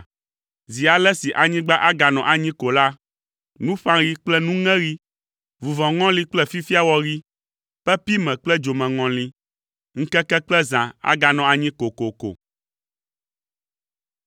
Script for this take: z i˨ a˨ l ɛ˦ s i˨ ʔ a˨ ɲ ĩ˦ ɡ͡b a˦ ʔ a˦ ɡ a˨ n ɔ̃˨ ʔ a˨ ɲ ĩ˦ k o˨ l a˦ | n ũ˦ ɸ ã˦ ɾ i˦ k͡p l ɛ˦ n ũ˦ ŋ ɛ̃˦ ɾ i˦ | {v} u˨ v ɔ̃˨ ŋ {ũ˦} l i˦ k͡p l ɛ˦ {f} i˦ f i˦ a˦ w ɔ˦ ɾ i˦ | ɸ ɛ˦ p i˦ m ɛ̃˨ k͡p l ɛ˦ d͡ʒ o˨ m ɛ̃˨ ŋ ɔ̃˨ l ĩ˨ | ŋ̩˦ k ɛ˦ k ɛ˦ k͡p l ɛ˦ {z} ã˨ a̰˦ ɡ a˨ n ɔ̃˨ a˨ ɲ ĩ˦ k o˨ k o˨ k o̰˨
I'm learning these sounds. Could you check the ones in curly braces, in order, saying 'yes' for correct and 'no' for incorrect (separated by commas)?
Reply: yes, no, yes, yes